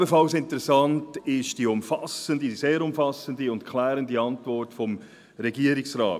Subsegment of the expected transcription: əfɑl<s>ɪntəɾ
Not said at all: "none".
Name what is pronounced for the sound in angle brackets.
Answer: s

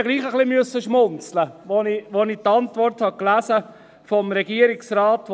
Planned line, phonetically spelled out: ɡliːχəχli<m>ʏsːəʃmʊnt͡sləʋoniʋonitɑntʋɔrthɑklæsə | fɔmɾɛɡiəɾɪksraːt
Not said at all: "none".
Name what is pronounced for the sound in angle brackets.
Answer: m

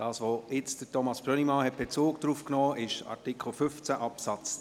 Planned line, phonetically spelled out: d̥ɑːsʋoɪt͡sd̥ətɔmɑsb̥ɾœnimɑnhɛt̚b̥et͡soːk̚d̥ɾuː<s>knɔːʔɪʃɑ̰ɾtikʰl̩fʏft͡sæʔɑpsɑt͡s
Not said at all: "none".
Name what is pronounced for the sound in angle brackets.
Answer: f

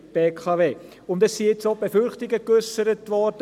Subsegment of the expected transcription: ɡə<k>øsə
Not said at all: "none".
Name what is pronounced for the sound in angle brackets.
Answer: k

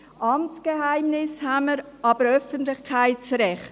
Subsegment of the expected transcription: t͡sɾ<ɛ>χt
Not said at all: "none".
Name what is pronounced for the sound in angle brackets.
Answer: ɛ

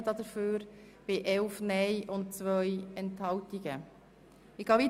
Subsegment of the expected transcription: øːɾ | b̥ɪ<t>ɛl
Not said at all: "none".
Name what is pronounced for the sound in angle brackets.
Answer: ʔ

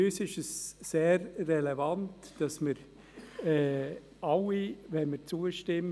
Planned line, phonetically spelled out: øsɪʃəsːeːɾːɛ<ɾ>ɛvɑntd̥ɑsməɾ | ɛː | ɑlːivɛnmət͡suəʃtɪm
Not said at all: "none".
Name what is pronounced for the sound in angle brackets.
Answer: l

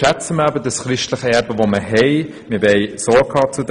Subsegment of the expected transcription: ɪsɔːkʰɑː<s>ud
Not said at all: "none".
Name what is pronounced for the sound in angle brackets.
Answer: t͡s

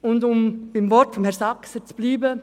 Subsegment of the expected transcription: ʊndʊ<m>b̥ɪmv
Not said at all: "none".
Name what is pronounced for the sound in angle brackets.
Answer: m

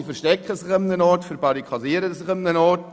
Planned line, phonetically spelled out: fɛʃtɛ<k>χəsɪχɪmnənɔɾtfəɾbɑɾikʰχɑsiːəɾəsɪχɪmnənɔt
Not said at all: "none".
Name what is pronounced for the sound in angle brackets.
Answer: k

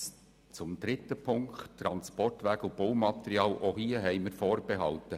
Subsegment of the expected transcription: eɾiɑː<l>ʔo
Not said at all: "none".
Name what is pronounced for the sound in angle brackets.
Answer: l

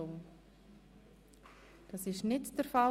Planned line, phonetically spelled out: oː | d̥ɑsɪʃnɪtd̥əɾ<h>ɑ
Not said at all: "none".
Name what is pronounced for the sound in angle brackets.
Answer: f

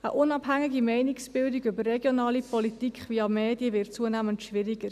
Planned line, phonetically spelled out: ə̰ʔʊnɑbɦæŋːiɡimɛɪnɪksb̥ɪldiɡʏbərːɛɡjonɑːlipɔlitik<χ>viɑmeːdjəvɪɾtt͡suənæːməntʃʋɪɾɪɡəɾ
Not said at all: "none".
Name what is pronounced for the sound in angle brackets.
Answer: χ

